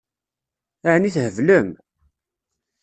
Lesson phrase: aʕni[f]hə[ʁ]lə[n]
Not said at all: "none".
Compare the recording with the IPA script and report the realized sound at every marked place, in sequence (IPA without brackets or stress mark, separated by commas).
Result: θ, v, m